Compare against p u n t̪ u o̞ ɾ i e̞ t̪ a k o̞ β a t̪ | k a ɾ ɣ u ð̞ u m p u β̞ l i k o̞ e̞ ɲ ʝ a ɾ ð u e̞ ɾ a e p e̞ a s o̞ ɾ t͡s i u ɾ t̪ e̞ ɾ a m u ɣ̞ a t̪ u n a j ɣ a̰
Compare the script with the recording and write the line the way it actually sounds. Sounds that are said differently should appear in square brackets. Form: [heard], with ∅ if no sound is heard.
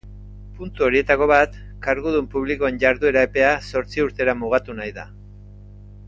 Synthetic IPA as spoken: p u n t̪ u o̞ ɾ i e̞ t̪ a k o̞ β a t̪ | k a ɾ ɣ u ð̞ u m p u β̞ l i k o̞ e̞ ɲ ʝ a ɾ ð u e̞ ɾ a e p e̞ a s o̞ ɾ t͡s i u ɾ t̪ e̞ ɾ a m u ɣ̞ a t̪ u n a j [ð] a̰